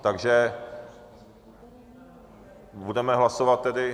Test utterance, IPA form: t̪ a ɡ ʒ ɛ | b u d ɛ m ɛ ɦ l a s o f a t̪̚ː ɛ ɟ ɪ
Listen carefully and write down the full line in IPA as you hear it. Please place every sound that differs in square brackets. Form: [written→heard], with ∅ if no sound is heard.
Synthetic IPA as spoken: t̪ a ɡ ʒ ɛ | b u d ɛ m ɛ ɦ l a s o [f→v] a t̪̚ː ɛ [ɟ→d] ɪ